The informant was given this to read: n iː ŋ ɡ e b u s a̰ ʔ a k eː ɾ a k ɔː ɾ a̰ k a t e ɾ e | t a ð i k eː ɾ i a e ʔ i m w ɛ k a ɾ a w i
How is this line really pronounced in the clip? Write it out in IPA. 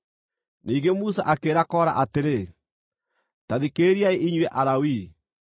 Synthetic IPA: n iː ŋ ɡ e m u s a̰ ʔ a k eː ɾ a k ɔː ɾ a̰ ʔ a t e ɾ e | t a ð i k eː ɾ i a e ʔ i ɲ w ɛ ʔ a ɾ a w i